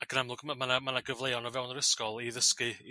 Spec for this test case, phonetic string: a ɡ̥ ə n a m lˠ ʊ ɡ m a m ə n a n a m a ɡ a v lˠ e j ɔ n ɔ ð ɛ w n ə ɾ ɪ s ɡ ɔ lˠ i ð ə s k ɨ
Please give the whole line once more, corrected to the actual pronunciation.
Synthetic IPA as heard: a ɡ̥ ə n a m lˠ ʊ ɡ m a m a n a m a n a ɡ ə v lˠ e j ɔ n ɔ v ɛ w n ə ɾ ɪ s k ɔ lˠ i ð ə s k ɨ